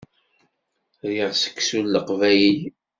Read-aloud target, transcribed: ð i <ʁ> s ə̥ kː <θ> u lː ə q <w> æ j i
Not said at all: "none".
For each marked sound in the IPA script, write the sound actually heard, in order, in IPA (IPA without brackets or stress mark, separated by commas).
ʁ, s, v